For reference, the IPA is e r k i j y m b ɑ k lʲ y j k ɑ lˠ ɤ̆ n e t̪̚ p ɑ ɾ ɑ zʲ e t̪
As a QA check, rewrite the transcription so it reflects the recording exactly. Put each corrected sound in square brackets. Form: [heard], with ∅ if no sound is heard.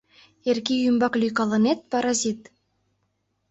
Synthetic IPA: e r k i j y m b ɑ k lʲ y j k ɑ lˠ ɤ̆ n e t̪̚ p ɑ ɾ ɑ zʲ [i] t̪